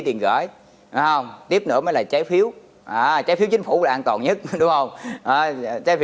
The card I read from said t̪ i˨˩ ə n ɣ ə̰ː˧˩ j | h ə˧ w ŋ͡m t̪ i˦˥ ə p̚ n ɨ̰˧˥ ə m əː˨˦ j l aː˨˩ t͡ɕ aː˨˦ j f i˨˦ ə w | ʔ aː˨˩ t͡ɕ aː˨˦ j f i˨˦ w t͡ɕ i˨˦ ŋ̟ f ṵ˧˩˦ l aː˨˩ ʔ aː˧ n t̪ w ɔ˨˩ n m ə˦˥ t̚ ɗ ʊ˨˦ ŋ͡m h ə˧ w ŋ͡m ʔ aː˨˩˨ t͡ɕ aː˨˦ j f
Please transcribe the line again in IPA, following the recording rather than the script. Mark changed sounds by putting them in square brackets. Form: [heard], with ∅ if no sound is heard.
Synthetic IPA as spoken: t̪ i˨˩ ə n ɣ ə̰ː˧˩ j | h ə˧ w ŋ͡m t̪ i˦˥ ə p̚ n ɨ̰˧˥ ə m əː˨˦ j l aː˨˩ t͡ɕ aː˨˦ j f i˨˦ ə w | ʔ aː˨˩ t͡ɕ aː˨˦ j f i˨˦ w t͡ɕ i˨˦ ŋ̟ f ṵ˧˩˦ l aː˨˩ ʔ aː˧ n t̪ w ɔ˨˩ n [ɲ] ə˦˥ t̚ ɗ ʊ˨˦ ŋ͡m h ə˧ w ŋ͡m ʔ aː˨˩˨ t͡ɕ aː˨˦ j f